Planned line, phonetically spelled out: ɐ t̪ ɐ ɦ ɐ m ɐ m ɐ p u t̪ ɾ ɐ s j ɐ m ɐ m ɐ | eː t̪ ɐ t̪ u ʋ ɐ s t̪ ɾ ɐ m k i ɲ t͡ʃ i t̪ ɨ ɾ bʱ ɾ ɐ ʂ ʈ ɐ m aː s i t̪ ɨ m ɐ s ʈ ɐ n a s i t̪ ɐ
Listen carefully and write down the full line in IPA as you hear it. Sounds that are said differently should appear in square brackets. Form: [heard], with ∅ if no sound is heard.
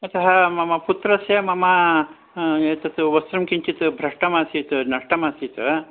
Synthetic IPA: ɐ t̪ ɐ ɦ ɐ m ɐ m ɐ p u t̪ ɾ ɐ s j ɐ m ɐ m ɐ | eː t̪ ɐ t̪ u ʋ ɐ s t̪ ɾ ɐ m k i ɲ t͡ʃ i t̪ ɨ [∅] bʱ ɾ ɐ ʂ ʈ ɐ m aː s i t̪ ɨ [n] ɐ [ʂ] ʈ ɐ [m] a s i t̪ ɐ